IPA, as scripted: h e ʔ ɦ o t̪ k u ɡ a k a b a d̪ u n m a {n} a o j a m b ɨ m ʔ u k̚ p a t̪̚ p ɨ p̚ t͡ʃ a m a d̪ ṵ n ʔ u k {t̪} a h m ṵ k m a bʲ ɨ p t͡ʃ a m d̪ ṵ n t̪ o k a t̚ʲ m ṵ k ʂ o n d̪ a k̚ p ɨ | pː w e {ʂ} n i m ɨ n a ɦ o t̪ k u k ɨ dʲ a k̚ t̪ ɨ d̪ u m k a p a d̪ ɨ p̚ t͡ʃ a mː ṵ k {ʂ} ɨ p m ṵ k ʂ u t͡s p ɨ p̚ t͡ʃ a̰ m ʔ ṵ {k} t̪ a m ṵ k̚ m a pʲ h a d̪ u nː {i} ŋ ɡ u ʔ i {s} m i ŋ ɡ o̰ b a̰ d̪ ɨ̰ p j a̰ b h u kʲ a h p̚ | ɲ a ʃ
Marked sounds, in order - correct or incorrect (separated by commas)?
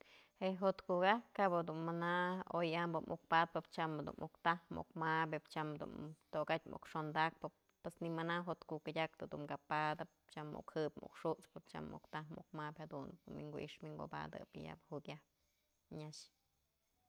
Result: correct, correct, incorrect, incorrect, correct, correct, incorrect